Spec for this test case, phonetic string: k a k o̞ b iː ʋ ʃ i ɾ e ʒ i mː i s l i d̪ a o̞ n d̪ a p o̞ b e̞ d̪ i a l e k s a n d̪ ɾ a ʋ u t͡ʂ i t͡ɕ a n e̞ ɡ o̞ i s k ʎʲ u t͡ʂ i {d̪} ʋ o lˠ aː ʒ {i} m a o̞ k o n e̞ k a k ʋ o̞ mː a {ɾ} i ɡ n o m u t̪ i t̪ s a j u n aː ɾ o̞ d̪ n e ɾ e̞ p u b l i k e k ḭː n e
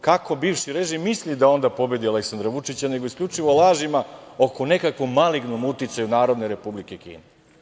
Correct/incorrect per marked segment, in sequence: incorrect, correct, incorrect

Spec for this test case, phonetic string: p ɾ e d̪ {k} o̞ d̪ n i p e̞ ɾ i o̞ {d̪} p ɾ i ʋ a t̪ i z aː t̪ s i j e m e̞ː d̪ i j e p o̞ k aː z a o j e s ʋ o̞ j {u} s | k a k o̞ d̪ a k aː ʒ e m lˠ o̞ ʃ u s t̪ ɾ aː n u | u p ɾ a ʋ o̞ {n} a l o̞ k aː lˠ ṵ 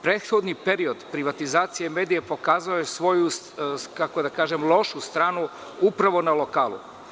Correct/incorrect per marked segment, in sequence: incorrect, correct, correct, correct

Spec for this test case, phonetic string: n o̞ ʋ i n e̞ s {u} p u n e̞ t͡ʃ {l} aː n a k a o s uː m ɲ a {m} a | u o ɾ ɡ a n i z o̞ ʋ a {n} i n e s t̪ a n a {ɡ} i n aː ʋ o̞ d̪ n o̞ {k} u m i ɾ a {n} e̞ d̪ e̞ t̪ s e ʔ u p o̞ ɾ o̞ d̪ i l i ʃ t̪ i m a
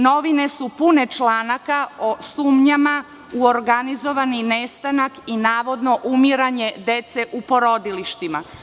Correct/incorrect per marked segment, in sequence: correct, correct, correct, correct, incorrect, incorrect, incorrect

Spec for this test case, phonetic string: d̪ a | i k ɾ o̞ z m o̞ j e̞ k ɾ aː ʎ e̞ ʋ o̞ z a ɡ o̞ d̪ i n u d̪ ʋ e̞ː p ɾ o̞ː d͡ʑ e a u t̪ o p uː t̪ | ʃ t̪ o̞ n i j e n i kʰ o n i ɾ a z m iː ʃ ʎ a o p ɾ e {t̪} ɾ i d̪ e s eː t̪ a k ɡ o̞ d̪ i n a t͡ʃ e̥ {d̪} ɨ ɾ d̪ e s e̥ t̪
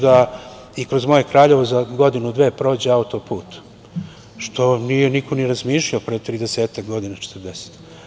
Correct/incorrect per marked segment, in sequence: correct, incorrect

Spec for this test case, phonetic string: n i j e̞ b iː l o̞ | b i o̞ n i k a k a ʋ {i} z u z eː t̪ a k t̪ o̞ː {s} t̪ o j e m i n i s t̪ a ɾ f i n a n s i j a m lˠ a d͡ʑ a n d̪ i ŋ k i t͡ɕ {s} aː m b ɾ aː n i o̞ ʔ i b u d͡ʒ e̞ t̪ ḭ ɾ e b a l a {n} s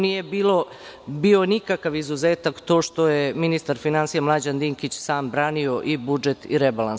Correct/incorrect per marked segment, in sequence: correct, incorrect, correct, correct

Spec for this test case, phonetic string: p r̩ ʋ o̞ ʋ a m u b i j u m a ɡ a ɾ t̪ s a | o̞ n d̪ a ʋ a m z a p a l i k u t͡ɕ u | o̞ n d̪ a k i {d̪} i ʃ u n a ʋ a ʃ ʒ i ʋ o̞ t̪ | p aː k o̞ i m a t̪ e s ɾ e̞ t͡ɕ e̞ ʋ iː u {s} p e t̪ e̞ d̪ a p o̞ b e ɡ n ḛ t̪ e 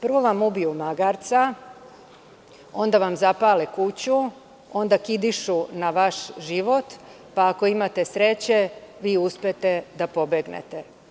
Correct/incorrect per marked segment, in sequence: correct, correct

